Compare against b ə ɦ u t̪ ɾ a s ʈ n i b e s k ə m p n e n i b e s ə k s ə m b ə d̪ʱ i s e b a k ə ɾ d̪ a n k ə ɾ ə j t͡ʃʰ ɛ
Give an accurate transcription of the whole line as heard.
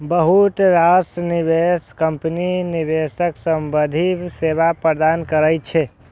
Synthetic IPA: b ə ɦ u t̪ ɾ a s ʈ n i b e s k ə m p n i n i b e s ə k s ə m b ə d̪ʱ i s e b a p ə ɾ d̪ a n k ə ɾ ə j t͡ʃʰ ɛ